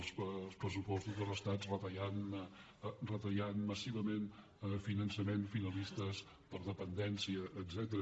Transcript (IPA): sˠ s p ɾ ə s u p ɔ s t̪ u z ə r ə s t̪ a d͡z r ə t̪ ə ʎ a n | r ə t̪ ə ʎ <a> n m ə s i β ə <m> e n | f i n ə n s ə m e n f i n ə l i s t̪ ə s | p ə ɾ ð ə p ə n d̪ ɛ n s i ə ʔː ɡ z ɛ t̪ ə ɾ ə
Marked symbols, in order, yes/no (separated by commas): yes, yes